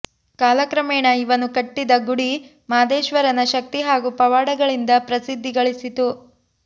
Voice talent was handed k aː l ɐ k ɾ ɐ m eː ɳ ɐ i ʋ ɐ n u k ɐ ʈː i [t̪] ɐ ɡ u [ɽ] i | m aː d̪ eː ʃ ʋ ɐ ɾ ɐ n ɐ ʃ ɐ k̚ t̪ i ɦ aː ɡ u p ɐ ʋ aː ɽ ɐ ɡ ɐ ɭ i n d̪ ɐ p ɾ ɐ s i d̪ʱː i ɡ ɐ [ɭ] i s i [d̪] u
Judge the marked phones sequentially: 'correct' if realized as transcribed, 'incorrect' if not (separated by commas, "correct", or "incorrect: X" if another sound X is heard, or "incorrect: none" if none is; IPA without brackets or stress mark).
incorrect: d̪, correct, correct, incorrect: t̪